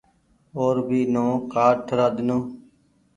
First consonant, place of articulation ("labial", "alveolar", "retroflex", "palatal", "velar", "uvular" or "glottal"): alveolar